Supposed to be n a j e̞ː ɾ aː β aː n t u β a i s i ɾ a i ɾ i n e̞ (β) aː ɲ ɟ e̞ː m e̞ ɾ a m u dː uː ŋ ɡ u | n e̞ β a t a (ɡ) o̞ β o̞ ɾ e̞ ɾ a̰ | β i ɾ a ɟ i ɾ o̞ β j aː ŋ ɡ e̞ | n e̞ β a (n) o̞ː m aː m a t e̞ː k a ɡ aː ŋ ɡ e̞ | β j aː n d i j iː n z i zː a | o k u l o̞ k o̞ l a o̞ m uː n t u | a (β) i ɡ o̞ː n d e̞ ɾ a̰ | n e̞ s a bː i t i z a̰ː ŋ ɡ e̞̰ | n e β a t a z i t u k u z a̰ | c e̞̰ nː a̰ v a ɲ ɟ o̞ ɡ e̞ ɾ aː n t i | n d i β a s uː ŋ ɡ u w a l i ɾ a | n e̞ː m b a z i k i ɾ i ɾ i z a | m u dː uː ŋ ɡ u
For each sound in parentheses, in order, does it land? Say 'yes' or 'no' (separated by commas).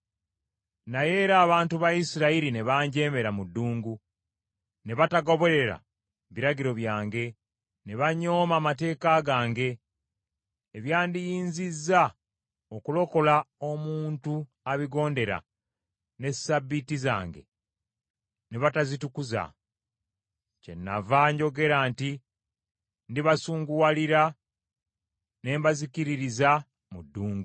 yes, yes, no, yes